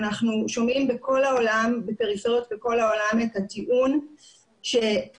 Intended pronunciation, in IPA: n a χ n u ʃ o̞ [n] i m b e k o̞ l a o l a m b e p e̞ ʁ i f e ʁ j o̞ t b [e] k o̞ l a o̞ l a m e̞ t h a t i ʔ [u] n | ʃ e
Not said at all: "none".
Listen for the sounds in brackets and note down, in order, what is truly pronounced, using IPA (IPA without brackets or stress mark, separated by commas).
m, e, u